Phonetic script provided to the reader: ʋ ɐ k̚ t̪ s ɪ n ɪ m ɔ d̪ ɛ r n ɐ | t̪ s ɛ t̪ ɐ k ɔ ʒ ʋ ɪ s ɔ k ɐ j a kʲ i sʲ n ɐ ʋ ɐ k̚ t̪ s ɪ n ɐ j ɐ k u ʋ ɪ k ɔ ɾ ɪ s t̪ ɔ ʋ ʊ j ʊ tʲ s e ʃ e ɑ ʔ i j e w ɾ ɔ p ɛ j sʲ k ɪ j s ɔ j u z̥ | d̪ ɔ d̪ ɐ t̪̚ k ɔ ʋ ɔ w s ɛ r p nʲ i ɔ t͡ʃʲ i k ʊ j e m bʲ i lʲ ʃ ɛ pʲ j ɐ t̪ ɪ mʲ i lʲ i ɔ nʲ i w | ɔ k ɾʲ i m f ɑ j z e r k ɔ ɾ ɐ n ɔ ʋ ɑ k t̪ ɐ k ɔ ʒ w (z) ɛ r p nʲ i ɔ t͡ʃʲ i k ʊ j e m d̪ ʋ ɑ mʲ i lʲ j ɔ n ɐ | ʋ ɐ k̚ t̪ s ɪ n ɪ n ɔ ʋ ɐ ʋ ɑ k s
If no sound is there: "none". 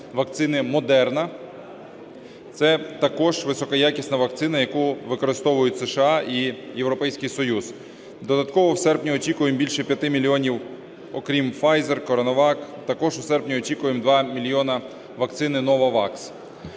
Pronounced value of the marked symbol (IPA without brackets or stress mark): s